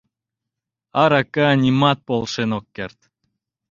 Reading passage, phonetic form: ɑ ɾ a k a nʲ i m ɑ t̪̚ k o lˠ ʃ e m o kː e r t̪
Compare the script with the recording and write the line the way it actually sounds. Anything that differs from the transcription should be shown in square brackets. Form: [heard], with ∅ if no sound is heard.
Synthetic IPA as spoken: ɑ ɾ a k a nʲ i m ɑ t̪̚ [p] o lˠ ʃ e [n] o kː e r t̪